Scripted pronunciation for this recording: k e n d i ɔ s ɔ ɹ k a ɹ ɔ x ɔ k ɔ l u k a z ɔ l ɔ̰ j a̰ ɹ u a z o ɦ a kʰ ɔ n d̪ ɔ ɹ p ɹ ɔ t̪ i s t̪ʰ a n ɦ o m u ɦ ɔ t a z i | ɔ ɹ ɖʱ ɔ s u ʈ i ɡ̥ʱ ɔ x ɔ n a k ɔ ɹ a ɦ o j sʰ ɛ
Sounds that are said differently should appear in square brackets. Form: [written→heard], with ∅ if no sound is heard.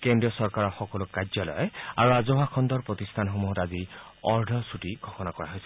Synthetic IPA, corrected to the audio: k e n d i ɔ s ɔ ɹ k a ɹ ɔ x ɔ k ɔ l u k a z ɔ l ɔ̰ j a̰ ɹ u a z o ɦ a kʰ ɔ n d̪ ɔ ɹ p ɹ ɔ t̪ i s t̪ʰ a n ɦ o m u ɦ ɔ t a z i | ɔ ɹ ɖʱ ɔ s u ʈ i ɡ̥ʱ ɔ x ɔ n a k ɔ ɹ a ɦ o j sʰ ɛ